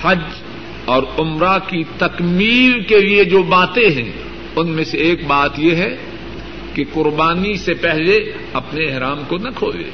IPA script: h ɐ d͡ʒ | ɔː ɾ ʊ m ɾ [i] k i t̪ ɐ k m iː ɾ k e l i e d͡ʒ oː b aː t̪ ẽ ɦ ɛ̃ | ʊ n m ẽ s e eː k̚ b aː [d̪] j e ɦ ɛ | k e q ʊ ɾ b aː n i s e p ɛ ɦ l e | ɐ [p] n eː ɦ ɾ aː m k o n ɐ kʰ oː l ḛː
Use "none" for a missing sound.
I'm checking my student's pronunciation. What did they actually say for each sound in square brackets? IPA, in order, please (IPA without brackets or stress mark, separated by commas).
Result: a, t̪, p